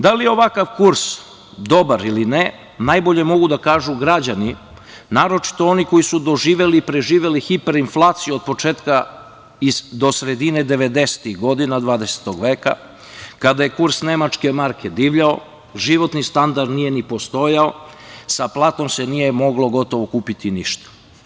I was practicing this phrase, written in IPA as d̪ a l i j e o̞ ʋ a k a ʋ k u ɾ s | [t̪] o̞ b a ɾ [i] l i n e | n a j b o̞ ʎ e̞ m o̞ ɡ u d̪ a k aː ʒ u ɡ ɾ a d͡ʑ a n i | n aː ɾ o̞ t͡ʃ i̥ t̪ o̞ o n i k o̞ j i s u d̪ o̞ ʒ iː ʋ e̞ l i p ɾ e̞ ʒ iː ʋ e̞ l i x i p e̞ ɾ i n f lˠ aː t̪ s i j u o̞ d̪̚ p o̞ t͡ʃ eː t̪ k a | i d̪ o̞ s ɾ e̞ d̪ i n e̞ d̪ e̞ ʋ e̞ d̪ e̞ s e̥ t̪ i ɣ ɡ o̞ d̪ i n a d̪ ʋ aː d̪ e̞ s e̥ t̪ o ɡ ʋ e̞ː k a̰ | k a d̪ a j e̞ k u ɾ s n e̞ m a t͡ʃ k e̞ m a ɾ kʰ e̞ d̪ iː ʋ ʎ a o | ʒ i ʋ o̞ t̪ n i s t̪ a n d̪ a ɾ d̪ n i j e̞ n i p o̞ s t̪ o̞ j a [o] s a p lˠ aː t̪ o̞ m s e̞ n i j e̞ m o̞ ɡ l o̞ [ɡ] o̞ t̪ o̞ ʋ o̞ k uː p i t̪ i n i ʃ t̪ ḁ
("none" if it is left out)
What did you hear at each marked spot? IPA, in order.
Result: d̪, i, o, ɡ

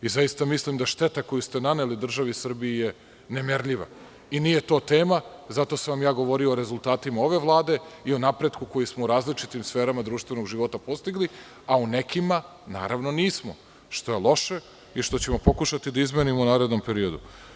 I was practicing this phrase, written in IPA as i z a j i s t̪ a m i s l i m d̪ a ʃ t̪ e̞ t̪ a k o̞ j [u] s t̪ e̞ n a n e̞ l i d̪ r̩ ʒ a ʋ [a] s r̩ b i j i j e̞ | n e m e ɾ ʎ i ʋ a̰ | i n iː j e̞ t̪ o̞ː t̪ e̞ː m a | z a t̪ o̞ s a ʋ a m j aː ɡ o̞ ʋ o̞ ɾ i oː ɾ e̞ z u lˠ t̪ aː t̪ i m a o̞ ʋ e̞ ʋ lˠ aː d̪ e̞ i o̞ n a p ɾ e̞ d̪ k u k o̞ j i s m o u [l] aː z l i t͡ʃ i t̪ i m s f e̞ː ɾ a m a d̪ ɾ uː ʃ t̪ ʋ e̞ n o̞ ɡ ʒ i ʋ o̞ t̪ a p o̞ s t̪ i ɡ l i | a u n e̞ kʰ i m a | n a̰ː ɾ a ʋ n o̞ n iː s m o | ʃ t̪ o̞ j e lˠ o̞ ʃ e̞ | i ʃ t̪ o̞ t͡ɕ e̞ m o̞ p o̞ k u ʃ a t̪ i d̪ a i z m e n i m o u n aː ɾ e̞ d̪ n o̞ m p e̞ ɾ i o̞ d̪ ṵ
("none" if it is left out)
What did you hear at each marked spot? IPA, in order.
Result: u, i, ɾ

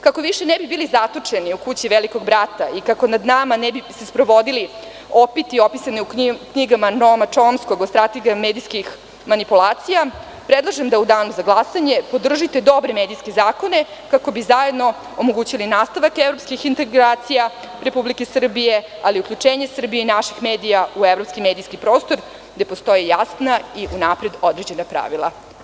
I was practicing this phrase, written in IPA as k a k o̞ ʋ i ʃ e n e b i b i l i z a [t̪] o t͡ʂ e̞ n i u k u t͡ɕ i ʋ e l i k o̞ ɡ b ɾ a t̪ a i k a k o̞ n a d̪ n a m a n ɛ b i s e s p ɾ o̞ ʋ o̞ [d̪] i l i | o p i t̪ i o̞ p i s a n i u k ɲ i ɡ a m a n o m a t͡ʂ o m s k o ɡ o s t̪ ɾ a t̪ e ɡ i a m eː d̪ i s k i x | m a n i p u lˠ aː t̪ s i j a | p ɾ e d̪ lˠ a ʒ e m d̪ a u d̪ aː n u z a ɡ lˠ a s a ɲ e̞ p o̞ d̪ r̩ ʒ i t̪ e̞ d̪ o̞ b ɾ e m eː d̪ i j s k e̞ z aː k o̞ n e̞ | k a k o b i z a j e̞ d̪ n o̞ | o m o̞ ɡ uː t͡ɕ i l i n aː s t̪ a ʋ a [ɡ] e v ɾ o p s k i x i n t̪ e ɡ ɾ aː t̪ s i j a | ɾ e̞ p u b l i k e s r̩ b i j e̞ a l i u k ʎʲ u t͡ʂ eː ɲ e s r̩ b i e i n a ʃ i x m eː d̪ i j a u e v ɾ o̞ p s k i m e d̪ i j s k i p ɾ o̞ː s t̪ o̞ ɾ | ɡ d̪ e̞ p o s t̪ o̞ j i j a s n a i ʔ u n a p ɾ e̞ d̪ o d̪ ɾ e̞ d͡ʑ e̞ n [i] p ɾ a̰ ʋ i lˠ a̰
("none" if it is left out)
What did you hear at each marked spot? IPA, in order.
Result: t̪, d̪, k, a

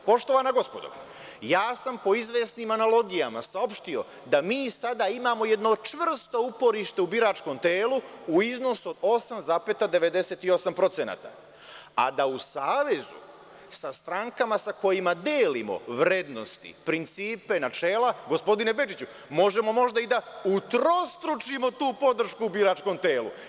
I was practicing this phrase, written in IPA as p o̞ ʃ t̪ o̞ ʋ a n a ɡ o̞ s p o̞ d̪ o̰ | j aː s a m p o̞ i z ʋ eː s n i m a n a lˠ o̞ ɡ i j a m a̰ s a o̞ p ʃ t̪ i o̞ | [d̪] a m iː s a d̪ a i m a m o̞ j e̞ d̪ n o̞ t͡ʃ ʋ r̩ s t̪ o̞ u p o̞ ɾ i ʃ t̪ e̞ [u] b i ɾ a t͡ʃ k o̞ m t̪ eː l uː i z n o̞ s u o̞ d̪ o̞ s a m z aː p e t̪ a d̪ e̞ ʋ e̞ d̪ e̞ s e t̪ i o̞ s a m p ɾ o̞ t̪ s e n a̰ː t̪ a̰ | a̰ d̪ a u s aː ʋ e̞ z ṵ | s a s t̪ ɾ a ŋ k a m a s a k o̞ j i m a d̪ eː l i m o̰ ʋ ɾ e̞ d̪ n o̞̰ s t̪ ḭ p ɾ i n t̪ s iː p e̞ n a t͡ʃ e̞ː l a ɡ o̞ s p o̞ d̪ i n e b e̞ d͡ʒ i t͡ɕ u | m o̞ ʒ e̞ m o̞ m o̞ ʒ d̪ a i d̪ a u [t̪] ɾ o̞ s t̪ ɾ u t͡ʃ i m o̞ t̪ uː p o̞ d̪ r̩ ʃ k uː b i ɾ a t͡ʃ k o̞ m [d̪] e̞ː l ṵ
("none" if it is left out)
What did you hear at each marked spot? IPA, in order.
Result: d̪, u, t̪, t̪

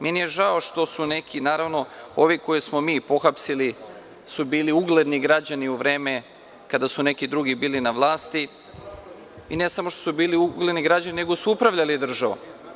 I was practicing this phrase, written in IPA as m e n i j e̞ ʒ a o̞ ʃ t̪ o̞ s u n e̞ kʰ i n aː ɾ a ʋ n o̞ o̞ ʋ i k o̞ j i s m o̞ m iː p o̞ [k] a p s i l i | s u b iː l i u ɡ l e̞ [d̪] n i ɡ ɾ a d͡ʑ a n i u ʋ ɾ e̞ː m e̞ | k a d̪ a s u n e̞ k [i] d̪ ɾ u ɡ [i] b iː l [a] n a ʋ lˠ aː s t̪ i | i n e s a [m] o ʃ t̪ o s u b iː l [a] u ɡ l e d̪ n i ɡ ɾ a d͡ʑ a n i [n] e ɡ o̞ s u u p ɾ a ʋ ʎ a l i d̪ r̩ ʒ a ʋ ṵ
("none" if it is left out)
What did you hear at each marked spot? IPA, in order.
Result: x, d̪, i, i, i, m, i, n

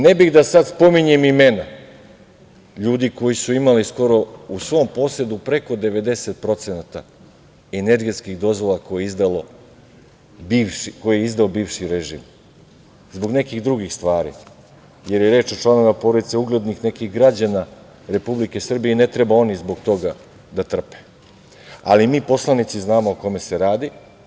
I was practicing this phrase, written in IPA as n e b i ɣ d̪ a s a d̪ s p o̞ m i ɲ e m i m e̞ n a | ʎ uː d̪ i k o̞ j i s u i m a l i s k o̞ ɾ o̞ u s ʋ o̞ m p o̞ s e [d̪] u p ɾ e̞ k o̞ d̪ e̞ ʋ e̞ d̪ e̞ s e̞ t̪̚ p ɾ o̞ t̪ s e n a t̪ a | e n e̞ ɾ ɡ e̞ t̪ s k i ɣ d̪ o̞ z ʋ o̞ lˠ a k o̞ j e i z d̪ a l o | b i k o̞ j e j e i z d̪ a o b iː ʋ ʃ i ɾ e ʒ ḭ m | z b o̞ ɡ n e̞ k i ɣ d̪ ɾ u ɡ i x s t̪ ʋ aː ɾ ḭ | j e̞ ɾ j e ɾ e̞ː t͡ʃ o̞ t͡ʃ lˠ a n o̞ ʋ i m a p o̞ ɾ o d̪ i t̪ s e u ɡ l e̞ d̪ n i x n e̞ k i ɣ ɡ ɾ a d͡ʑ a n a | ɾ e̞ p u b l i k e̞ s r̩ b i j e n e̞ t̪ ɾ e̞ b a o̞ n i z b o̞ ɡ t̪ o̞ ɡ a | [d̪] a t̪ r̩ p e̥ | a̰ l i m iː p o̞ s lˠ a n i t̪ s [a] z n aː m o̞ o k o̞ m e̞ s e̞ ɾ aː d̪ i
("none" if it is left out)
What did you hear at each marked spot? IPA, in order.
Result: d̪, d̪, i

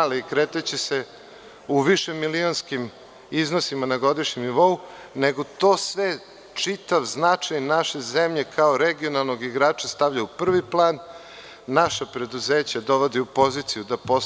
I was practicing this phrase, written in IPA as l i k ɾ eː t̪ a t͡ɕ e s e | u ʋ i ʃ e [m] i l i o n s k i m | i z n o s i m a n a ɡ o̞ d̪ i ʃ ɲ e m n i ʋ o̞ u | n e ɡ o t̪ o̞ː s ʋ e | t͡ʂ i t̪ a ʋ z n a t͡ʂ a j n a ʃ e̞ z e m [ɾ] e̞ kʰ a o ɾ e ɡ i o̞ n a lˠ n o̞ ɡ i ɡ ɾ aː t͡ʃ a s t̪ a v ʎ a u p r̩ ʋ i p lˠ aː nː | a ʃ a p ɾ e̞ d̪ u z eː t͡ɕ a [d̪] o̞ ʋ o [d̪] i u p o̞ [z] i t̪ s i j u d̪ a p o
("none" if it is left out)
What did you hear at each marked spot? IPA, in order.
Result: m, ʎ, d̪, d̪, z

